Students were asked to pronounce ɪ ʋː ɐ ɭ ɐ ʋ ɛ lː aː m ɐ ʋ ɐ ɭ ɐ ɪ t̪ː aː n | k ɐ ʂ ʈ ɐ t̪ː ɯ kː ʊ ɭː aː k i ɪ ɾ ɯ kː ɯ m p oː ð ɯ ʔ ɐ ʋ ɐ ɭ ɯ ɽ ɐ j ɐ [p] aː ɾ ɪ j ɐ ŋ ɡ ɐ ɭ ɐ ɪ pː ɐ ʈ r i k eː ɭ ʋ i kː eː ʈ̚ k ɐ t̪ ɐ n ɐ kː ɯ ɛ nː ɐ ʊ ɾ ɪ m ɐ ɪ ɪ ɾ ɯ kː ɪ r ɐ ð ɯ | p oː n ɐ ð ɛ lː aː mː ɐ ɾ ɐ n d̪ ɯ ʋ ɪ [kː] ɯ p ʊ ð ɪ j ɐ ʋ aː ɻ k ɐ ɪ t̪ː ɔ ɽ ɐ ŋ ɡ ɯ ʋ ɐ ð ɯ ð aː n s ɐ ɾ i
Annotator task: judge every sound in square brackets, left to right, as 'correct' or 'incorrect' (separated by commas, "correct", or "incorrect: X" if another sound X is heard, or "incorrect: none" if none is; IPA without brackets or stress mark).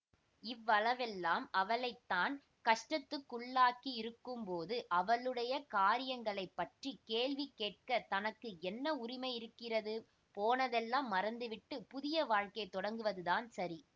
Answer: incorrect: k, incorrect: ʈː